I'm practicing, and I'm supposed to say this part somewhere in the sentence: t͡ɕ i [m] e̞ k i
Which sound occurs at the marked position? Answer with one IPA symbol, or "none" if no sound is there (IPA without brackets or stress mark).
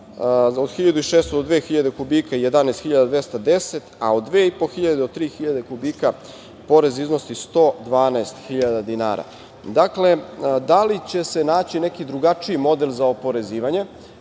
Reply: n